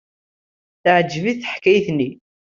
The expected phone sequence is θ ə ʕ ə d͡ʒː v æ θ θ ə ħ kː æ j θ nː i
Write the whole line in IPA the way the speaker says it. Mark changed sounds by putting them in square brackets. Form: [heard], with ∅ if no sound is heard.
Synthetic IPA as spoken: θ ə ʕ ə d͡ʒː v [i] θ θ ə ħ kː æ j θ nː i